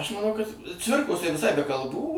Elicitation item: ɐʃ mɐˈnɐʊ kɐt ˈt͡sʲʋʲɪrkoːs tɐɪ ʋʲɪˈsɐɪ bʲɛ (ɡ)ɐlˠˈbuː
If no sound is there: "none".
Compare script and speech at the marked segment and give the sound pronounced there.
k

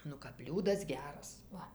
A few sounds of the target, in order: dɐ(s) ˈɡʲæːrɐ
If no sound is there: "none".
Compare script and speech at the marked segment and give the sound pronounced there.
s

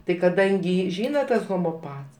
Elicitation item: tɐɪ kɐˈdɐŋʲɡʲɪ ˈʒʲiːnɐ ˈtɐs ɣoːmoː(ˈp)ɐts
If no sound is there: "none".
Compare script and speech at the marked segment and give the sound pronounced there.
p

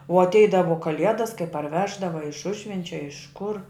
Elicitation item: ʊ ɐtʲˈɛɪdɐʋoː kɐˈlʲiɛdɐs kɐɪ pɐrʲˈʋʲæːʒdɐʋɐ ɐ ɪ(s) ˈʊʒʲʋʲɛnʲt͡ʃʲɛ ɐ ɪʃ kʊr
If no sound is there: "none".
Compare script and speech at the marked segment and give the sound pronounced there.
ʃ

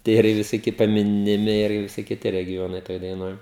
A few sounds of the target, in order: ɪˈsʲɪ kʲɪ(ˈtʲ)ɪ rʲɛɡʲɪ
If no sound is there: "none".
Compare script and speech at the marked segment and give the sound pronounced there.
tʲ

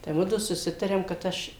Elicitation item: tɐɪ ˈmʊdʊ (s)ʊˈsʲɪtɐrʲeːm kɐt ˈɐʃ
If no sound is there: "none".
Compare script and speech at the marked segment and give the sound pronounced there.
s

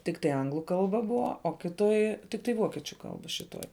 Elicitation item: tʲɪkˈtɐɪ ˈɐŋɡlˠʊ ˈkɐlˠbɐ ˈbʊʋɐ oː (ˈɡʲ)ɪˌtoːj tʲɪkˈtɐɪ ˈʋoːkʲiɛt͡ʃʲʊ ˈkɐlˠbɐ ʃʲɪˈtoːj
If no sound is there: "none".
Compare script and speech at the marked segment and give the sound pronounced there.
kʲ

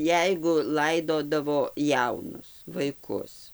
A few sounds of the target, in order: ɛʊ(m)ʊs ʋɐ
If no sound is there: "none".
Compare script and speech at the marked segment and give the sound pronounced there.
n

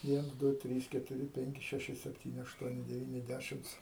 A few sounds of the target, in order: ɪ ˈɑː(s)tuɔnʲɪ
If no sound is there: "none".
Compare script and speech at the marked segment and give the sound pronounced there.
ʃ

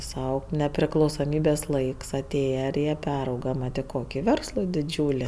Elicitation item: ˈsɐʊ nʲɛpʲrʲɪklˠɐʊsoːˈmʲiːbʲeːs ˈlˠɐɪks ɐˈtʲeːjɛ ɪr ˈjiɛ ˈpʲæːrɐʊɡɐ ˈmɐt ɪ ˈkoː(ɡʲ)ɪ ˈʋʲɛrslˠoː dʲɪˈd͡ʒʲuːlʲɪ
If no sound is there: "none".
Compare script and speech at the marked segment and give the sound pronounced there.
kʲ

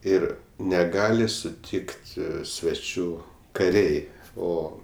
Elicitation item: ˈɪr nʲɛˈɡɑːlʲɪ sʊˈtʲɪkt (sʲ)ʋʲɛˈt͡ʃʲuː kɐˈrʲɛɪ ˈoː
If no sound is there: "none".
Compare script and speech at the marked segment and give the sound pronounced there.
sʲ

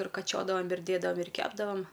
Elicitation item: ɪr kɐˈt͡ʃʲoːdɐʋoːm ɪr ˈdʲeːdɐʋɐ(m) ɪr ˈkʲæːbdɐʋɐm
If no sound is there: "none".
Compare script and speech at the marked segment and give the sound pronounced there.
m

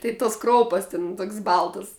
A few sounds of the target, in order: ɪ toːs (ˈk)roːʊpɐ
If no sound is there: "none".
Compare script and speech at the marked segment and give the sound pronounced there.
k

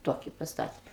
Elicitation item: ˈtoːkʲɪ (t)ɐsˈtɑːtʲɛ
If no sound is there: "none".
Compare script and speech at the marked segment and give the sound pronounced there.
p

